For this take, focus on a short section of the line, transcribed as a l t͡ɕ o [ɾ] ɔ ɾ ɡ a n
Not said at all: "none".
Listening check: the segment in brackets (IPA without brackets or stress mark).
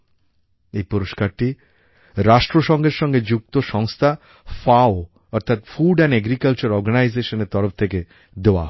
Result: ɾ